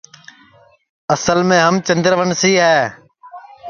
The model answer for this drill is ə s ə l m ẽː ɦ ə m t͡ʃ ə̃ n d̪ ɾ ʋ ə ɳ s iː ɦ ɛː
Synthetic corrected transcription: ə s ə l m ẽː ɦ ə m t͡ʃ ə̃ n d̪ ɾ ʋ ə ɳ s iː ɦ ɛː